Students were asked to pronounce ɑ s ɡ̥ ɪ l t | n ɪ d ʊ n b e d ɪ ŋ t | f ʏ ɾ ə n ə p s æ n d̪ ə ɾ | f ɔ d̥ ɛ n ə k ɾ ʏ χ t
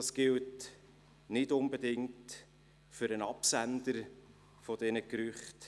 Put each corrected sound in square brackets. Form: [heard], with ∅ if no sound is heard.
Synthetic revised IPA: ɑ s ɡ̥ ɪ l t | n ɪ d ʊ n b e d ɪ ŋ t | f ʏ ɾ ə n [ɑ] p s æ n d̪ ə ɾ | f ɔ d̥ ɛ n ə k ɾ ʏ χ t